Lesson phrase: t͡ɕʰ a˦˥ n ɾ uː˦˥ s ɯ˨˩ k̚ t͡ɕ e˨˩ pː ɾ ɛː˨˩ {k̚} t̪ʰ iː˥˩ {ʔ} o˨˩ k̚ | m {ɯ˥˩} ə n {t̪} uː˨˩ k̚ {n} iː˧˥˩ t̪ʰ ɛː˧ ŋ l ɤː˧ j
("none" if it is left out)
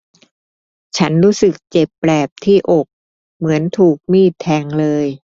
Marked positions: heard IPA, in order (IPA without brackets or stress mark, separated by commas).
p̚, ʔ, ɯ˩˦, t̪ʰ, m